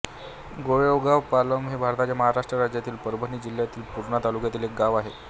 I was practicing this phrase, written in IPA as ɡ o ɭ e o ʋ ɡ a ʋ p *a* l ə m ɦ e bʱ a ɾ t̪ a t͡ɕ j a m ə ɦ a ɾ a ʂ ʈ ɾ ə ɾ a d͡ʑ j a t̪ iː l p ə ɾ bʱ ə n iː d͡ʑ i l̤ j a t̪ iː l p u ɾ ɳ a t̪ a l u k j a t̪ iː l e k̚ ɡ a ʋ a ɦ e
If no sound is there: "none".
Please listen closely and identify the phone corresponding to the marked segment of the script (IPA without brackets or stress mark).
a